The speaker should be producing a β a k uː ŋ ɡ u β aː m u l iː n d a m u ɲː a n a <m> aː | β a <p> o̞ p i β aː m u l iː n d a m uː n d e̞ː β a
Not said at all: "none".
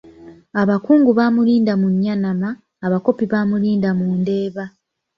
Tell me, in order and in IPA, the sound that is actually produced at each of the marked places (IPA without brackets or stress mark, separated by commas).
m, k